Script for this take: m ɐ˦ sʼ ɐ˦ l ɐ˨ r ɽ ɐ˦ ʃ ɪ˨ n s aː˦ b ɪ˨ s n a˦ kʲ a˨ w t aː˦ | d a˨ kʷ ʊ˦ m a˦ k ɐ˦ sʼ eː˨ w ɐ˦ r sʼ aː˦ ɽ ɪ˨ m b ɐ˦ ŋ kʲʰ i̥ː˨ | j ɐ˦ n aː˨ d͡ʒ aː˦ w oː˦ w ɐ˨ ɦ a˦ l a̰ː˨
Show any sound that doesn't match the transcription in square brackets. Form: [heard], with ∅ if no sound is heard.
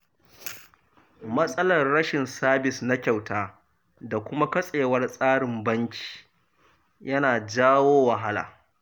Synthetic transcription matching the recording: m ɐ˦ sʼ ɐ˦ l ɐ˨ r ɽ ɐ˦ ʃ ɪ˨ n s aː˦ b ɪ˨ s n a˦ kʲ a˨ w t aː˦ | d a˨ kʷ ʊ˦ m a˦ k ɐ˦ sʼ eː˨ w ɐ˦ r sʼ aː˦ ɽ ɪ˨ m b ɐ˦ ŋ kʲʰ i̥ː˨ | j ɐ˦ n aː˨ d͡ʒ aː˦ w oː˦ w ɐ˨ ɦ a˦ l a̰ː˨